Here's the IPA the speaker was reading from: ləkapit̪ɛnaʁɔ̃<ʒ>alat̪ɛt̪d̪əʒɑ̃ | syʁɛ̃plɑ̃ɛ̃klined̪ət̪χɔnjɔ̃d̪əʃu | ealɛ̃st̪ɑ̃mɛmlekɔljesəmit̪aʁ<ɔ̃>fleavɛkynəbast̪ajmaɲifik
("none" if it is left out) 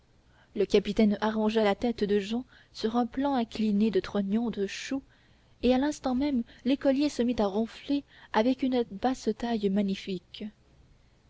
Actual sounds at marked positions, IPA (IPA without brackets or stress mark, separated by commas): ʒ, ɔ̃